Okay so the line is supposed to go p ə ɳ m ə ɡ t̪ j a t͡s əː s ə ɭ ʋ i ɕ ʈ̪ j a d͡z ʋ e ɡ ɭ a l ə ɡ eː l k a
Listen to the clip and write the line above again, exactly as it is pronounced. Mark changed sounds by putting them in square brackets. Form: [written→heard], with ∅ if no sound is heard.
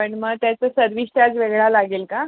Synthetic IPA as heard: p ə ɳ m ə ɡ t̪ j a t͡s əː s ə [ɭ→ɾ] ʋ i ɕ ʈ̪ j a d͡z ʋ e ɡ ɭ a l [ə→a] ɡ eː l k a